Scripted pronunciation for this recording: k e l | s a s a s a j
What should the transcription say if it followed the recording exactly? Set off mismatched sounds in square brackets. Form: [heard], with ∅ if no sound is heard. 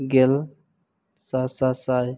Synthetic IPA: [ɡ] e l | s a s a s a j